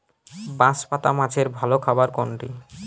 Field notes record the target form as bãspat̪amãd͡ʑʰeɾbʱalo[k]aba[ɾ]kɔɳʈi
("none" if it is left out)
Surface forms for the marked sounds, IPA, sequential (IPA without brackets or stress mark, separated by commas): kʰ, ɾ